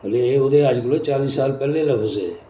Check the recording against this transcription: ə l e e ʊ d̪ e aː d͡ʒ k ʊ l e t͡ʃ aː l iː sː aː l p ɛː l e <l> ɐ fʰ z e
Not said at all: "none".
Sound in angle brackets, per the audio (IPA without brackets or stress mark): l